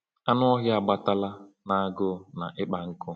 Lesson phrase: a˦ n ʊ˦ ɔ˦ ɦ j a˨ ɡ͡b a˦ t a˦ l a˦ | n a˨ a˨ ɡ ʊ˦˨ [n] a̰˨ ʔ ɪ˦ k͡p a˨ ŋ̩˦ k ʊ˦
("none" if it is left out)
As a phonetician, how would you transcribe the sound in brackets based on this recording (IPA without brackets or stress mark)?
n